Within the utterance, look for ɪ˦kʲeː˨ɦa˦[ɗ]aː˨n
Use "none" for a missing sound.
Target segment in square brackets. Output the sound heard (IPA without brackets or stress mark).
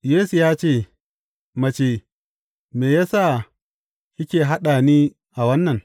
ɗ